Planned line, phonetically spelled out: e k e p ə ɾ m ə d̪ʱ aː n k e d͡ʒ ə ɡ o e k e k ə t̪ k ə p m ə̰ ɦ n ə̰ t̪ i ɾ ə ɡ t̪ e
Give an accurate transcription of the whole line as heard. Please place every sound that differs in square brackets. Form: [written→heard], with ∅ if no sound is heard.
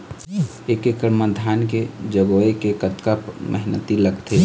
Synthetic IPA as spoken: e k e [p→k] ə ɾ m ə d̪ʱ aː n k e d͡ʒ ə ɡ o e k e k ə t̪ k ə p m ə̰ ɦ n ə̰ t̪ i [ɾ→l] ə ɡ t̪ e